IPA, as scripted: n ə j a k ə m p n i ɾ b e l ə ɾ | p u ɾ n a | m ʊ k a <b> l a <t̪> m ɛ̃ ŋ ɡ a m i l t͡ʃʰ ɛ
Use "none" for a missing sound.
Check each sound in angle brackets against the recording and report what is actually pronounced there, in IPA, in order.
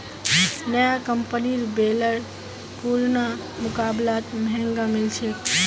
b, t̪

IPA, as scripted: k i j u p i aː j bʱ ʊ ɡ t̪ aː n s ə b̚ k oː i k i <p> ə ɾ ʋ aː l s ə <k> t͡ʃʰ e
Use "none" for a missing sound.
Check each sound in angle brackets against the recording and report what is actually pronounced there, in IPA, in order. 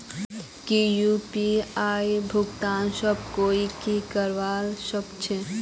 k, k

